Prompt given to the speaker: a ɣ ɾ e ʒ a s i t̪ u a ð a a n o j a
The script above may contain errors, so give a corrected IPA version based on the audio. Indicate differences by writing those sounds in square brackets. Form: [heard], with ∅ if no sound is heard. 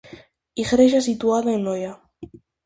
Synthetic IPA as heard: [i] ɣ ɾ e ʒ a s i t̪ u a ð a [e] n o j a